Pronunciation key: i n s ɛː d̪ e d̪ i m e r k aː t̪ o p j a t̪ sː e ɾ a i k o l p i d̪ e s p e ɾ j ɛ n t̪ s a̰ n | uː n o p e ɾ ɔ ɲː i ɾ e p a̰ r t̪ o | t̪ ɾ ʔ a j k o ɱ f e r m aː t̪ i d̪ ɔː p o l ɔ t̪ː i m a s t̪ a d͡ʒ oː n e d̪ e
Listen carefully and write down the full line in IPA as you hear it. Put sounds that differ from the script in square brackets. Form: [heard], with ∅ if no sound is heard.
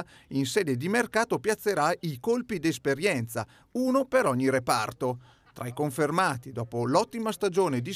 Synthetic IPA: i n s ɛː d̪ e d̪ i m e r k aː t̪ o p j a t̪ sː e ɾ a i k o l p i d̪ e s p e ɾ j ɛ n t̪ s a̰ [∅] | uː n o p e ɾ ɔ ɲː i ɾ e p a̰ r t̪ o | t̪ ɾ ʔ a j k o ɱ f e r m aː t̪ i d̪ ɔː p o l ɔ t̪ː i m a s t̪ a d͡ʒ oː n e d̪ [i]